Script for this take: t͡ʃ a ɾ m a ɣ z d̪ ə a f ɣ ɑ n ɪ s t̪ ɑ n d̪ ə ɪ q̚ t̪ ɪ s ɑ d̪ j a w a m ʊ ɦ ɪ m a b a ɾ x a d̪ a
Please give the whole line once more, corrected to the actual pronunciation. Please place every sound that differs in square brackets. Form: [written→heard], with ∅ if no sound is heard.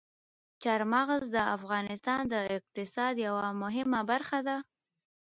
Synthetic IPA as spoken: t͡ʃ a ɾ m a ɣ z d̪ ə a f ɣ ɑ n ɪ s t̪ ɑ n d̪ ə ɪ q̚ t̪ ɪ s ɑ d̪ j a w a m ʊ ɦ ɪ m a b a ɾ x a d̪ a